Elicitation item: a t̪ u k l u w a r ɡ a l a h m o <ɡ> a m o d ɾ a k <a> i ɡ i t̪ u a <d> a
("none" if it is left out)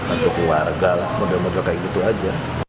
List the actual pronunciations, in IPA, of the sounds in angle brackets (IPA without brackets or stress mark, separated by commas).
d, a, d͡ʒ